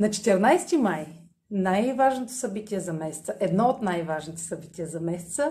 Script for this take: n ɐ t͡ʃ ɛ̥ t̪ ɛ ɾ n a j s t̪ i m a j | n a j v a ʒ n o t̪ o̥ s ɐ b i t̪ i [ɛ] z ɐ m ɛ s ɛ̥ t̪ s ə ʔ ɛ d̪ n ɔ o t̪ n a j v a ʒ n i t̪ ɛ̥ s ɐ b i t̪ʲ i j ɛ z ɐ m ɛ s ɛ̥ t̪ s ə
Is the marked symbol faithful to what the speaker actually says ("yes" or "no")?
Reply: yes